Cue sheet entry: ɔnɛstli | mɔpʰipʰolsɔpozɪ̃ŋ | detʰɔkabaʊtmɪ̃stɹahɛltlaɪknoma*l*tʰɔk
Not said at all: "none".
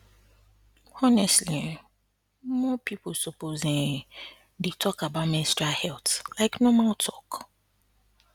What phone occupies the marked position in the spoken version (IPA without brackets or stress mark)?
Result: l